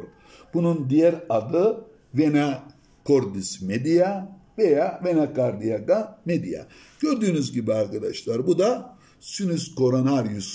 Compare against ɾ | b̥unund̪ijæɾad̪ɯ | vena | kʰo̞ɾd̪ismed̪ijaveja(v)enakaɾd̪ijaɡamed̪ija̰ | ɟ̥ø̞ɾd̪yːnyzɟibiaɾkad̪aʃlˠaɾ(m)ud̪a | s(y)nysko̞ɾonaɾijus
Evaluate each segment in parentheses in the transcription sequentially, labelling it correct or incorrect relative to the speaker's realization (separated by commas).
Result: correct, incorrect, correct